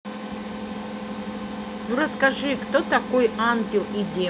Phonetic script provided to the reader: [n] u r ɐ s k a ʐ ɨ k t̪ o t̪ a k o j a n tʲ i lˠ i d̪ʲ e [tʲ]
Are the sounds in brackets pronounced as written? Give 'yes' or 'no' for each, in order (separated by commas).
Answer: yes, no